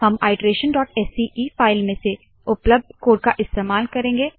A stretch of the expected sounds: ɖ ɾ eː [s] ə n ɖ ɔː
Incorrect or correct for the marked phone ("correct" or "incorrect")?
incorrect